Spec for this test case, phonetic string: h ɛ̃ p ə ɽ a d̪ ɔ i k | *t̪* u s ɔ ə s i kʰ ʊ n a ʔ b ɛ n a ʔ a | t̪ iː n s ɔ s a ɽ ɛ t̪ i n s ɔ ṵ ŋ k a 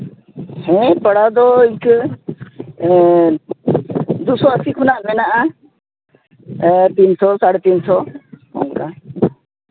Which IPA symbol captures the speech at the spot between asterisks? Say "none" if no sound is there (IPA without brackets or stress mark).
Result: d̪